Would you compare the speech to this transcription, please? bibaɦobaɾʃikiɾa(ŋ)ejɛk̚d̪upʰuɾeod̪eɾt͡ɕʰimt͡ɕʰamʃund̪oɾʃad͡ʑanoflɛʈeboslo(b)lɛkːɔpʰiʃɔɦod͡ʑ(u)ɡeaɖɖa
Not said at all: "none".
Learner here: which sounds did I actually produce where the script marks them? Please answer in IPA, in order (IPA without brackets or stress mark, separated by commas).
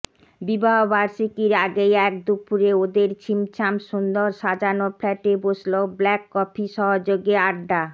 ɡ, b, o